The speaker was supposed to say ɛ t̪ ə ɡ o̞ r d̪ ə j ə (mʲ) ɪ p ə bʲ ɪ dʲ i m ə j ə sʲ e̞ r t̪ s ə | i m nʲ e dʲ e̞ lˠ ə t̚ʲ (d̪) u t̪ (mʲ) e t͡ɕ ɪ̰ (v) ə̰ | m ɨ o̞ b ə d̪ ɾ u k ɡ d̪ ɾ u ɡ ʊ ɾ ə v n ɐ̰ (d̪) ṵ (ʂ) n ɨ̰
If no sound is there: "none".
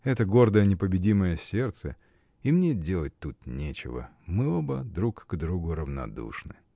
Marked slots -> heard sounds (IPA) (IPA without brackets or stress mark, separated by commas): nʲ, t̪, nʲ, v, d̪, ʂ